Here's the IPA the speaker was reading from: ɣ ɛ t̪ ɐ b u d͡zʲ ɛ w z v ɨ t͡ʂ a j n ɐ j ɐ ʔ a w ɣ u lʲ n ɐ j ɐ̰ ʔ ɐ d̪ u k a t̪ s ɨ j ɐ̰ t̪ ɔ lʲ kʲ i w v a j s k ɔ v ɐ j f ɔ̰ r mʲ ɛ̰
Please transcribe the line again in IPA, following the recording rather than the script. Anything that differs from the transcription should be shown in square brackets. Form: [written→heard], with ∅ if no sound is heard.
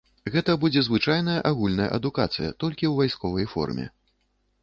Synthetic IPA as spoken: ɣ ɛ t̪ ɐ b u d͡zʲ ɛ [w→∅] z v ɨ t͡ʂ a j n ɐ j ɐ ʔ a [w→∅] ɣ u lʲ n ɐ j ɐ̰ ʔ ɐ d̪ u k a t̪ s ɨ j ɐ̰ t̪ ɔ lʲ kʲ i w v a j s k ɔ v ɐ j f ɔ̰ r mʲ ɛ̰